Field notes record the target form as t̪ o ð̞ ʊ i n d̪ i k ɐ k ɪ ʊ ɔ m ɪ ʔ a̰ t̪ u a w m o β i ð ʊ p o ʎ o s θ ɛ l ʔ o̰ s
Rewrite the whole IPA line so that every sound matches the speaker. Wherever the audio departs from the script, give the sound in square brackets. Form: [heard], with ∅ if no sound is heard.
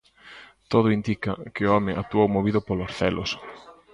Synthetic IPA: t̪ o ð̞ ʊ i n d̪ i k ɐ k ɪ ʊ ɔ m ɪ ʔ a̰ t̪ u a w m o β i ð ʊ p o [l] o s θ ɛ l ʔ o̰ s